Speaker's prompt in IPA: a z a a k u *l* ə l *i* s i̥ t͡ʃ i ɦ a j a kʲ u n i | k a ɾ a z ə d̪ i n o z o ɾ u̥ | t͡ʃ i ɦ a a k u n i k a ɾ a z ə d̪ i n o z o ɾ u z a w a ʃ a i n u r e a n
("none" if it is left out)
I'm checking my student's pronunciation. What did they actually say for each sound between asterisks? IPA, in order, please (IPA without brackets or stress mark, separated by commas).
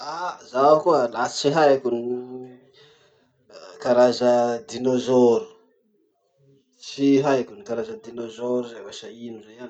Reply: none, a